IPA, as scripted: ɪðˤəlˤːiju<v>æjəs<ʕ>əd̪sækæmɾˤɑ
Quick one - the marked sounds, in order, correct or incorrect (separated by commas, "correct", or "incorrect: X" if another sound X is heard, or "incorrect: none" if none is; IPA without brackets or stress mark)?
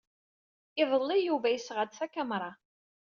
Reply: correct, incorrect: ʁ